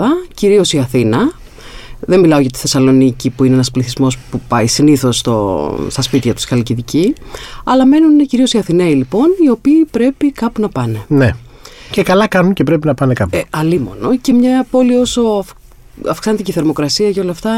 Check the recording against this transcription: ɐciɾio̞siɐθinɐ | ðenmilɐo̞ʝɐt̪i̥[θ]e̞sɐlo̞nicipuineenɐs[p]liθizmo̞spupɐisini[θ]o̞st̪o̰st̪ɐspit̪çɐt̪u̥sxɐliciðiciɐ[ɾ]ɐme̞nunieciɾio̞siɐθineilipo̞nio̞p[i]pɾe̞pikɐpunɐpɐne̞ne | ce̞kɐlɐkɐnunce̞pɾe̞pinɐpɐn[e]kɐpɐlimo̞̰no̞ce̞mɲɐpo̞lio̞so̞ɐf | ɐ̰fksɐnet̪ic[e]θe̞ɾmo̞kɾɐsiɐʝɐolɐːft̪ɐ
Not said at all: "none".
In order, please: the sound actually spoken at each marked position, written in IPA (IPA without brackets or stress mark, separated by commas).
θ, p, θ, l, iː, e, i